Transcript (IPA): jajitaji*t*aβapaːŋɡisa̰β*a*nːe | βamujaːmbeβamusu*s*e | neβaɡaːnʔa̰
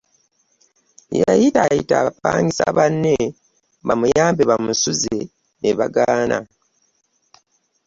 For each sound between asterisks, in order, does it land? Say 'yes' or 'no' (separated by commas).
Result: yes, yes, no